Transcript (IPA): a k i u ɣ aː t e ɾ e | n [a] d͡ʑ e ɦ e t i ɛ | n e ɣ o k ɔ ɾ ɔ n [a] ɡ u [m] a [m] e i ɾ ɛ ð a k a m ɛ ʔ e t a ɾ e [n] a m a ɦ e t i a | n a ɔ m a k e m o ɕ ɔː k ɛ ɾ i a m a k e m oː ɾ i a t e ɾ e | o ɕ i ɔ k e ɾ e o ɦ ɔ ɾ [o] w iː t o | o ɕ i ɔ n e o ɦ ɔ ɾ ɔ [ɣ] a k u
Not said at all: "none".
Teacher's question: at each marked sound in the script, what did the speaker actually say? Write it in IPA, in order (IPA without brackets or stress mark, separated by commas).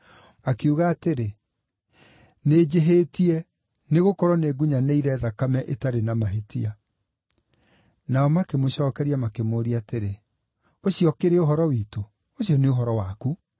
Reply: e, e, ɲ, n, n, ɔ, w